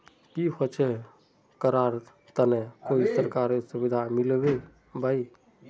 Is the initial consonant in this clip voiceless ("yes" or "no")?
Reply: yes